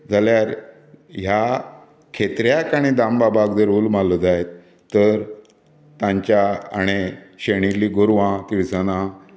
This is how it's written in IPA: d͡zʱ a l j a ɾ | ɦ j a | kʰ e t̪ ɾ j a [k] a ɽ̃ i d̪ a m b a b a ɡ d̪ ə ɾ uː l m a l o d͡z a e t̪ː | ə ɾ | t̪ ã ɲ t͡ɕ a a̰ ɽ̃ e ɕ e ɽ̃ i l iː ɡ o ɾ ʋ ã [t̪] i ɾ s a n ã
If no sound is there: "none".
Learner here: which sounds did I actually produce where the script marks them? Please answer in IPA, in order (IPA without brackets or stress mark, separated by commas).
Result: k, t̪